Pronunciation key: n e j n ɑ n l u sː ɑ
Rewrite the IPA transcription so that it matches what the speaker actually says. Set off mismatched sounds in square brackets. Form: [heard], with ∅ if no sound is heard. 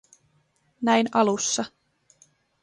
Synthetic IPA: n [æ] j n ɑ [∅] l u sː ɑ